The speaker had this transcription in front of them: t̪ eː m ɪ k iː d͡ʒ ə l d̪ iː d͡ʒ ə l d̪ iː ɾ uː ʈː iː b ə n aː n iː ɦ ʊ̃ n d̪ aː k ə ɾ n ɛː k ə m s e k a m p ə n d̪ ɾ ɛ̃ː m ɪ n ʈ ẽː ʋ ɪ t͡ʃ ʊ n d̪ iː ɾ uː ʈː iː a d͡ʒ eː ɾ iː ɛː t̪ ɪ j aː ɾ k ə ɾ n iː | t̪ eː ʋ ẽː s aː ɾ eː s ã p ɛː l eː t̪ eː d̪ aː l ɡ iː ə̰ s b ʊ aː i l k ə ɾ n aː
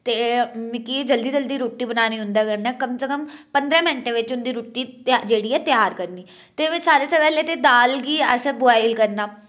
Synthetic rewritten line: t̪ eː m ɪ k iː d͡ʒ ə l d̪ iː d͡ʒ ə l d̪ iː ɾ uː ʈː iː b ə n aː n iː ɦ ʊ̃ n d̪ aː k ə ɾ n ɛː k ə m s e k ə m p ə n d̪ ɾ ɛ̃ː m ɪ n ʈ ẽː ʋ ɪ t͡ʃ ʊ n d̪ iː ɾ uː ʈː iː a d͡ʒ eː ɽ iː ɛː t̪ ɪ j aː ɾ k ə ɾ n iː | t̪ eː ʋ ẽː s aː ɾ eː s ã p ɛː l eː t̪ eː d̪ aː l ɡ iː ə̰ s b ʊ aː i l k ə ɾ n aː

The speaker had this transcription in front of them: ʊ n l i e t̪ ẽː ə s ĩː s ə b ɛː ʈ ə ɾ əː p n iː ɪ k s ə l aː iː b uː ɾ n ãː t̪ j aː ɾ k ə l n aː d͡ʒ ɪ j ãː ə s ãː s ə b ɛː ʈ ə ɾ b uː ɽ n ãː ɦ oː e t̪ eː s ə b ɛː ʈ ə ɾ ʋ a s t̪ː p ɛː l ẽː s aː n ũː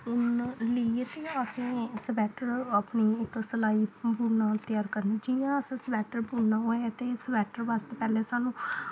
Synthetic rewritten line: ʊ n l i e t̪ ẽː ə s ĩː s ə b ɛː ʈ ə ɾ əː p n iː ɪ k s ə l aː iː b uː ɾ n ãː t̪ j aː ɾ k ə ɾ n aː d͡ʒ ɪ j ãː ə s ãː s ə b ɛː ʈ ə ɾ b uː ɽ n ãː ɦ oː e t̪ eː s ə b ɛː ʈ ə ɾ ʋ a s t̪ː p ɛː l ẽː s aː n ũː

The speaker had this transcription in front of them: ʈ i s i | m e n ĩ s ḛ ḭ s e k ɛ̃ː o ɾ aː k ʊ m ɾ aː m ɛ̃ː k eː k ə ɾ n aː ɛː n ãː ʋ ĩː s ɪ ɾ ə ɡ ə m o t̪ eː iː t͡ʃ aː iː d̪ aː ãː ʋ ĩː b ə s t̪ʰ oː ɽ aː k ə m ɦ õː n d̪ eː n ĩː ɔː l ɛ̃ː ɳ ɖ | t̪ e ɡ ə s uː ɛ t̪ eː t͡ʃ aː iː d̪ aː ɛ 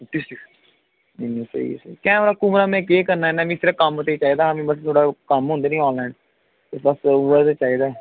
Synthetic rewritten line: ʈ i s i | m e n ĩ s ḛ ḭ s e k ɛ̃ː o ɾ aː k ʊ m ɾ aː m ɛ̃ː k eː k ə ɾ n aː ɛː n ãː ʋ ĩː s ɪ ɾ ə k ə m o t̪ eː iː t͡ʃ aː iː d̪ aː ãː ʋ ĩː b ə s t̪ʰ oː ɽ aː k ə m ɦ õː n d̪ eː n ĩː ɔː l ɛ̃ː ɳ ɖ | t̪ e b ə s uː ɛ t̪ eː t͡ʃ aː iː d̪ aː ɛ

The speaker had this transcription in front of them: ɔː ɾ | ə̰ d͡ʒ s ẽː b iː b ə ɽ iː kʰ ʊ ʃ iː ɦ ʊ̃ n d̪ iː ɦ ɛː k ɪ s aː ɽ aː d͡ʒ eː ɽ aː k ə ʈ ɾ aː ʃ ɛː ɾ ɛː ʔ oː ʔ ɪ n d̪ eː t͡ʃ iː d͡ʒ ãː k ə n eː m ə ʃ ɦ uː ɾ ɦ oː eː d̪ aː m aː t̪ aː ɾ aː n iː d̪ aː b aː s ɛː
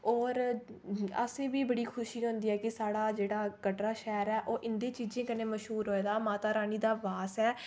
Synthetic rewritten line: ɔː ɾ | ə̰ s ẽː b iː b ə ɽ iː kʰ ʊ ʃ iː ɦ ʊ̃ n d̪ iː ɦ ɛː k ɪ s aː ɽ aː d͡ʒ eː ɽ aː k ə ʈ ɾ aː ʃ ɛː ɾ ɛː ʔ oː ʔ ɪ n d̪ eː t͡ʃ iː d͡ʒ ẽː k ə n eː m ə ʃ ɦ uː ɾ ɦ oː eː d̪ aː m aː t̪ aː ɾ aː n iː d̪ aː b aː s ɛː

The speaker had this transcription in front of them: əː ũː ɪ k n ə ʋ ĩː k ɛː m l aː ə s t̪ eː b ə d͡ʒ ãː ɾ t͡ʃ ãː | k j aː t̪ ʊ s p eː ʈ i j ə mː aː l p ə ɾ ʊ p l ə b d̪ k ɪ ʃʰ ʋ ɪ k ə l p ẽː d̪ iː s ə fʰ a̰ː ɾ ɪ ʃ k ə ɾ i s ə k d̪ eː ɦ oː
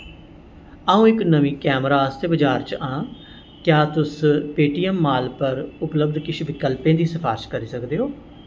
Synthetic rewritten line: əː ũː ɪ k n ə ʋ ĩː k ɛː m ɾ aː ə s t̪ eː b ə d͡ʒ aː ɾ t͡ʃ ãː | k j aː t̪ ʊ s p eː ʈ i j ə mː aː l p ə ɾ ʊ p l ə b d̪ k ɪ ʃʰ ʋ ɪ k ə l p ẽː d̪ iː s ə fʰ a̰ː ɾ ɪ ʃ k ə ɾ iː s ə k d̪ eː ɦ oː

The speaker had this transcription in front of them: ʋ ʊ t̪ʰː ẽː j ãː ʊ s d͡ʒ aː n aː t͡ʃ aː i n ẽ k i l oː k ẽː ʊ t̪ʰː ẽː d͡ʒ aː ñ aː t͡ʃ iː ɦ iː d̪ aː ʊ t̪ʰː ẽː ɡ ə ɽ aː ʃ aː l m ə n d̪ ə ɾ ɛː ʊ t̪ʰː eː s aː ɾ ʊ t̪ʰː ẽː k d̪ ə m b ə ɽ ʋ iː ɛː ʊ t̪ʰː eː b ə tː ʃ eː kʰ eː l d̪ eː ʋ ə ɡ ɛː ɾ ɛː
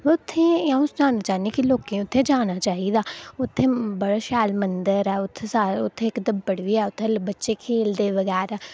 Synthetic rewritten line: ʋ ʊ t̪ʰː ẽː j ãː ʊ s d͡ʒ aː n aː t͡ʃ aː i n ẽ k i l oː k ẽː ʊ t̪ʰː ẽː d͡ʒ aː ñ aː t͡ʃ aː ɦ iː d̪ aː ʊ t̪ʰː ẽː b ə ɽ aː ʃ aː l m ə n d̪ ə ɾ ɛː ʊ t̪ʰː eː s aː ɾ ʊ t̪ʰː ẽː k d̪ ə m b ə ɽ ʋ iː ɛː ʊ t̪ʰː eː b ə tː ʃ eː kʰ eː l d̪ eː ʋ ə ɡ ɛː ɾ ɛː

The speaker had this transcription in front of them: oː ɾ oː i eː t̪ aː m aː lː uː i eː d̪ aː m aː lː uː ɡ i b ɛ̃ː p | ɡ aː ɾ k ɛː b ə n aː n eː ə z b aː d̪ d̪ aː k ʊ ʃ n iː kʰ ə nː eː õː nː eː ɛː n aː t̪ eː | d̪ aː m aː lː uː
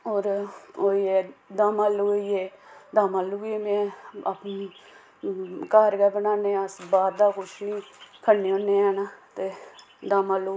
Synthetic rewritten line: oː ɾ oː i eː d̪ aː m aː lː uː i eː d̪ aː m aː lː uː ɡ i m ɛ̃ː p | k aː ɾ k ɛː b ə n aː n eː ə s b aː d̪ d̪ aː k ʊ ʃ n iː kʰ ə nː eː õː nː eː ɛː n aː t̪ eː | d̪ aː m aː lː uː

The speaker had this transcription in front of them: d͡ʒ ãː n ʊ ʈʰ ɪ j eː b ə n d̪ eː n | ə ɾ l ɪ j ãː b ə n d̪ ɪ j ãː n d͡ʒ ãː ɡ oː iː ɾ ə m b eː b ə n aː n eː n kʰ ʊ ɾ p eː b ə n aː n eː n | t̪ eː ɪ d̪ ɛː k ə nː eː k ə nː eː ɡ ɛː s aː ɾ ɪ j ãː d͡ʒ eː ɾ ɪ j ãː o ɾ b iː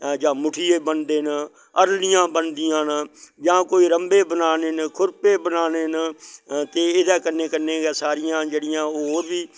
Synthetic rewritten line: d͡ʒ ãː m ʊ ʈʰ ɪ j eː b ə n d̪ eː n | ə ɾ l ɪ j ãː b ə n d̪ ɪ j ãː n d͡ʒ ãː k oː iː ɾ ə m b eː b ə n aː n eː n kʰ ʊ ɾ p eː b ə n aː n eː n | t̪ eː ɪ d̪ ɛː k ə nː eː k ə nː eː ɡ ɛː s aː ɾ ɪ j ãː d͡ʒ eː ɽ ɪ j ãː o ɾ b iː

